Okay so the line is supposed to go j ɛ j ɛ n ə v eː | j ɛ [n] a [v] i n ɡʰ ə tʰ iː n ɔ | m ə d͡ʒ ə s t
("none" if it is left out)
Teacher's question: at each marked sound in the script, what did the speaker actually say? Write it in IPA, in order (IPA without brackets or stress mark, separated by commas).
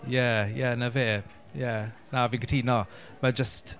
n, v